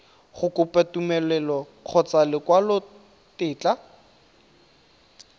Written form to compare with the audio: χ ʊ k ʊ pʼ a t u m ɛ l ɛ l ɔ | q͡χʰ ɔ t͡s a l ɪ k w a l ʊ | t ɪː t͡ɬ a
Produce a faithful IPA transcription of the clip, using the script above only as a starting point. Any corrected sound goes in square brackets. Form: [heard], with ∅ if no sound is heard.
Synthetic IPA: χ ʊ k ʊ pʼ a t u m ɛ l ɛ l ɔ | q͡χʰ ɔ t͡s a l ɪ k w a l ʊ | t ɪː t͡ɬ a